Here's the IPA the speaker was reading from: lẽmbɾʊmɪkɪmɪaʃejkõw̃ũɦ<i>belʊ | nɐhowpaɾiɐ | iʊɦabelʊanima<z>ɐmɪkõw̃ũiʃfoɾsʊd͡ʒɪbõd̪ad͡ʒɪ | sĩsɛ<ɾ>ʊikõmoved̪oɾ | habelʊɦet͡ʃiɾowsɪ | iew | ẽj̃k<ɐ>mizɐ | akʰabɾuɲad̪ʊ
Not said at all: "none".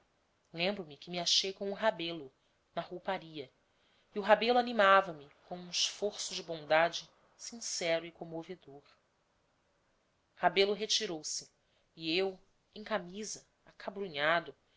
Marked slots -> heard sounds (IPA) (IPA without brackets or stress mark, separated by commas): a, v, ɾ, a